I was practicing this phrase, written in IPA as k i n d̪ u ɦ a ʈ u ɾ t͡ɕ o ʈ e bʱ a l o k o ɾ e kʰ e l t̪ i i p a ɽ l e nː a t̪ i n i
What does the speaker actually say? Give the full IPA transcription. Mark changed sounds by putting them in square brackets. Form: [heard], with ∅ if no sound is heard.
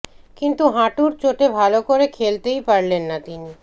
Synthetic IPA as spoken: k i n [t̪] u ɦ a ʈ u ɾ t͡ɕ o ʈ e bʱ a l o k o ɾ e kʰ e l t̪ [e] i p a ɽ l e nː a t̪ i n i

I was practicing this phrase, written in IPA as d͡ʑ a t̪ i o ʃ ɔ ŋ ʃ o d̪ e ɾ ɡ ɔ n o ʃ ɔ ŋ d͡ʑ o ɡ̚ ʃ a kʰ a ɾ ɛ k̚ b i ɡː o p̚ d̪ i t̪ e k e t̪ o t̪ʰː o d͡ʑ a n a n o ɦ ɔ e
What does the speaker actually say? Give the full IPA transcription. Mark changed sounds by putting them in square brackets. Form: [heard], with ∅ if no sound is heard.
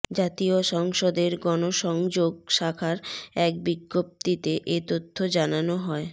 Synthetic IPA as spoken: d͡ʑ a t̪ i o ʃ ɔ ŋ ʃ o d̪ e ɾ ɡ ɔ n o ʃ ɔ ŋ d͡ʑ o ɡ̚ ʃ a kʰ a ɾ ɛ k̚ b i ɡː o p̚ [t̪] i t̪ e [ʔ] e t̪ o t̪ʰː o d͡ʑ a n a n o ɦ ɔ e

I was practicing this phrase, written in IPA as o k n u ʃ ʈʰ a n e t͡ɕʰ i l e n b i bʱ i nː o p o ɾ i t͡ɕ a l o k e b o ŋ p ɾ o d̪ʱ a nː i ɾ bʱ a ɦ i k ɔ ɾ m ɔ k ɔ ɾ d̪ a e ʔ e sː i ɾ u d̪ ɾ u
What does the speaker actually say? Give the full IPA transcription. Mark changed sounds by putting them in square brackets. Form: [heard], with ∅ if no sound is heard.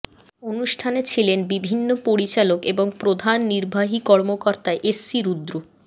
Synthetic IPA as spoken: o [∅] n u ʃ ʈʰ a n e t͡ɕʰ i l e n b i bʱ i nː o p o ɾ i t͡ɕ a l o k e b o ŋ p ɾ o d̪ʱ a nː i ɾ bʱ a ɦ i k ɔ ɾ m [o] k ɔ ɾ [t̪] a e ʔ e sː i ɾ u d̪ ɾ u

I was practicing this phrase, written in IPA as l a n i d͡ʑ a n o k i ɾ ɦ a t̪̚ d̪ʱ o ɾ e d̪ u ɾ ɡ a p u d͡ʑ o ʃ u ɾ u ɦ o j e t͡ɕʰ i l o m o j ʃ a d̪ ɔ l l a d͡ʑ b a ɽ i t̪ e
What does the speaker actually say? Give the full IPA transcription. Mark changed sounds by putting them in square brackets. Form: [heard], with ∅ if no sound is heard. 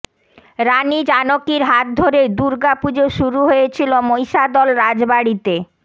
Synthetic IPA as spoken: [ɾ] a n i d͡ʑ a n o k i ɾ ɦ a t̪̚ d̪ʱ o ɾ e d̪ u ɾ ɡ a p u d͡ʑ o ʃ u ɾ u ɦ o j e t͡ɕʰ i l o m o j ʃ a d̪ ɔ l [ɾ] a d͡ʑ b a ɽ i t̪ e

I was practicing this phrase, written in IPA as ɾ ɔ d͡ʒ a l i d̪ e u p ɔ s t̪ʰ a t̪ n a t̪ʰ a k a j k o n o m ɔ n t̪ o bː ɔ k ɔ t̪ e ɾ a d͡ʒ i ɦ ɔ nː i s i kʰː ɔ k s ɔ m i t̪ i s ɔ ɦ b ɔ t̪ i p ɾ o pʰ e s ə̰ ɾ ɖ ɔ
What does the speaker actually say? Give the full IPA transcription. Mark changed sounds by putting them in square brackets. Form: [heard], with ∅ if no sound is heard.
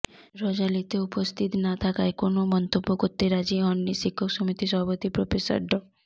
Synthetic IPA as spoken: ɾ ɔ d͡ʒ a l i [t̪] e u p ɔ s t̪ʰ [i] t̪ n a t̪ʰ a k a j k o n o m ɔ n t̪ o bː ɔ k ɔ t̪ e ɾ a d͡ʒ i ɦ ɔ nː i s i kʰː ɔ k s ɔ m i t̪ i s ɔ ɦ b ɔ t̪ i p ɾ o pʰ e s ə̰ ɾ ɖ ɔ

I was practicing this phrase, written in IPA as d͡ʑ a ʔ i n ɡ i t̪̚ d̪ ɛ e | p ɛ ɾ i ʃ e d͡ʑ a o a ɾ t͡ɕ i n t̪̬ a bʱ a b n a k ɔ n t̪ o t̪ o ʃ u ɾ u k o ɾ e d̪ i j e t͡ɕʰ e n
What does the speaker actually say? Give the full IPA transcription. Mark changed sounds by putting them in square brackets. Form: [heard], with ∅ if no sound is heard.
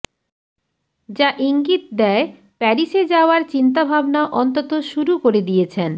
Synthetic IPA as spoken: d͡ʑ a ʔ i [ŋ] ɡ i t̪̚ d̪ ɛ e | p ɛ ɾ i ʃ e d͡ʑ a o a ɾ t͡ɕ i n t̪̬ a bʱ a b n a [ʔ] ɔ n t̪ o t̪ o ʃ u ɾ u k o ɾ e d̪ i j e t͡ɕʰ e n

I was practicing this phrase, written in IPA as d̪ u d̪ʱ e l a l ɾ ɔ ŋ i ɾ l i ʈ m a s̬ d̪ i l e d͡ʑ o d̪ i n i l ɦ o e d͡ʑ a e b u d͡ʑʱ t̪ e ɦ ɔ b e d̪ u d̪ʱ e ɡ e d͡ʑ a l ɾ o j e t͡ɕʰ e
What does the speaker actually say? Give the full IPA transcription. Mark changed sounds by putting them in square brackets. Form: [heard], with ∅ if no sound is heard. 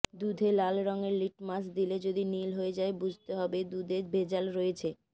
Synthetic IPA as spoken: d̪ u d̪ʱ e l a l ɾ ɔ ŋ [e] ɾ l i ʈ m a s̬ d̪ i l e d͡ʑ o d̪ i n i l ɦ o e d͡ʑ a e b u d͡ʑʱ t̪ e ɦ ɔ b e d̪ u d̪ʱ e [b] e d͡ʑ a l ɾ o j e t͡ɕʰ e

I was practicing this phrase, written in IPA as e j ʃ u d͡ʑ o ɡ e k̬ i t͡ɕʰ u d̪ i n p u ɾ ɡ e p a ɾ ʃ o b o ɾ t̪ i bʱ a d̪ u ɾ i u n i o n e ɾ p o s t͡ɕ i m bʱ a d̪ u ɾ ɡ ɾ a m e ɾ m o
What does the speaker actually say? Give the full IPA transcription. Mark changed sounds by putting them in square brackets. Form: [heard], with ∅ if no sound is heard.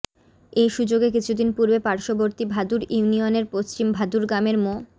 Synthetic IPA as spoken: e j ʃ u d͡ʑ o ɡ e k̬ i t͡ɕʰ u d̪ i n p u ɾ [b] e p a ɾ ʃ o b o ɾ t̪ i bʱ a d̪ u ɾ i u n i o n e ɾ p o s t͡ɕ i m bʱ a d̪ u ɾ ɡ ɾ a m e ɾ m o

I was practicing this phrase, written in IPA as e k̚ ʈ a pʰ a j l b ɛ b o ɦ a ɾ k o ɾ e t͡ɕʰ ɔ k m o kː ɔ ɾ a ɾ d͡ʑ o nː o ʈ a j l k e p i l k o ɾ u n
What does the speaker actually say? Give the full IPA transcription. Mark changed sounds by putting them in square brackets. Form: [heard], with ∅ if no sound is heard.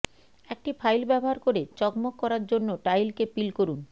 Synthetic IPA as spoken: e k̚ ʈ [i] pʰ a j l b ɛ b o ɦ a ɾ k o ɾ e [t͡ɕ] ɔ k m o kː ɔ ɾ a ɾ d͡ʑ o nː o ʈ a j l k e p i l k o ɾ u n

